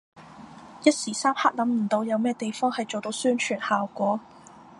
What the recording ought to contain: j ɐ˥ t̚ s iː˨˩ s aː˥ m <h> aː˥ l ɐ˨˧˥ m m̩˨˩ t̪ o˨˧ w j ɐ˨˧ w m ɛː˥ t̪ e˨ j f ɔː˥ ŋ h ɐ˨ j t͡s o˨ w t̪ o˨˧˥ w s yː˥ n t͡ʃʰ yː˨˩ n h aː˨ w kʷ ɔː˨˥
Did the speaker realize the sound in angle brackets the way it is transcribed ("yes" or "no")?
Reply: yes